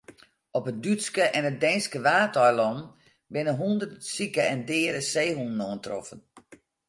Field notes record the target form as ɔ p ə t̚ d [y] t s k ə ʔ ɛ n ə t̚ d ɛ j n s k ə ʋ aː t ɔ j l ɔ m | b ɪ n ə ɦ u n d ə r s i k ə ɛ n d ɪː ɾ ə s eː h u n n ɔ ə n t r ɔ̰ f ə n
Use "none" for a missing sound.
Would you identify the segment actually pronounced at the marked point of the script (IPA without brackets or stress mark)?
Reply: y